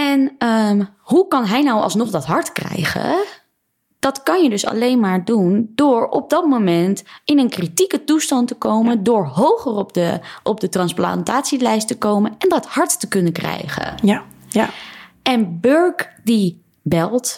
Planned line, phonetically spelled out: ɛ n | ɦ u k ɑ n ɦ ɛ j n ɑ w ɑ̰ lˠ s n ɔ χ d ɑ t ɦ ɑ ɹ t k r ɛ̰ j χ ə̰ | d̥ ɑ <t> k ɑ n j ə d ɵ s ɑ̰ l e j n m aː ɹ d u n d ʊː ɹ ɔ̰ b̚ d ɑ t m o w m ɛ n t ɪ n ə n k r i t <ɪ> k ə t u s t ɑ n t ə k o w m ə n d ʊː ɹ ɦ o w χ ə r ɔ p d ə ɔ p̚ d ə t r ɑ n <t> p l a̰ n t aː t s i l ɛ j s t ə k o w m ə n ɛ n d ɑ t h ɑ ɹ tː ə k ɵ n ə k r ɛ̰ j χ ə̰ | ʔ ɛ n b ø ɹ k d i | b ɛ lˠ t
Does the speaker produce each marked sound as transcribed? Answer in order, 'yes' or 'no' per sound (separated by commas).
yes, no, no